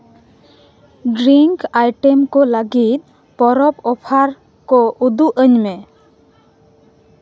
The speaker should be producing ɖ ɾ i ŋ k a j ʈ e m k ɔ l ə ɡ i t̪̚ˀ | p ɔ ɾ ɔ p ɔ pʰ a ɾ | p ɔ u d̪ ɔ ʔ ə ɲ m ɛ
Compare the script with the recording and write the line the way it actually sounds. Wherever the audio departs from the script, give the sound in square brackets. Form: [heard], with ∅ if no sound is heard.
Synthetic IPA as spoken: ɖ ɾ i ŋ k a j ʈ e m k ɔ l ə ɡ i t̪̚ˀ | p ɔ ɾ ɔ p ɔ pʰ a ɾ | [k] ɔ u d̪ [u] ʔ ə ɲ m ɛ